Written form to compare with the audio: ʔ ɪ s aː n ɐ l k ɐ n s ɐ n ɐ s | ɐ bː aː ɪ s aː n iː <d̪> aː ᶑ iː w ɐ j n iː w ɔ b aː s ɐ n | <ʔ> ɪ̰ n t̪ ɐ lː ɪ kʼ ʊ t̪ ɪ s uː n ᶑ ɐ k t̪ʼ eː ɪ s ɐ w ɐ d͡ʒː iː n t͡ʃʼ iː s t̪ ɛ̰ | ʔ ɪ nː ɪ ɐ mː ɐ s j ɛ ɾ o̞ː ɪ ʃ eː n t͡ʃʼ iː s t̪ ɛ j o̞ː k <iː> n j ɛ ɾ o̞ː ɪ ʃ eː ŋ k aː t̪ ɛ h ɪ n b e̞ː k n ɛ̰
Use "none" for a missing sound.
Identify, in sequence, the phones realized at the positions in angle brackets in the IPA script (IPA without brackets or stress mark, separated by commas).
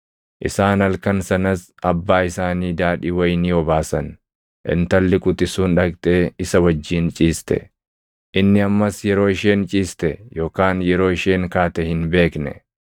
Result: d̪, ʔ, aː